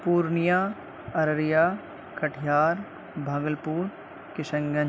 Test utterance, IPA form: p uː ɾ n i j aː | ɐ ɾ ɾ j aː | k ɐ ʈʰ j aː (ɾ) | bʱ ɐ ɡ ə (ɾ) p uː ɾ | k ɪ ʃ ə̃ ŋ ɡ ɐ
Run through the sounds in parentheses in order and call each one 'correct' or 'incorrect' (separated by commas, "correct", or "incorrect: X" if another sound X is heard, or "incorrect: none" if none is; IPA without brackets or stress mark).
correct, incorrect: l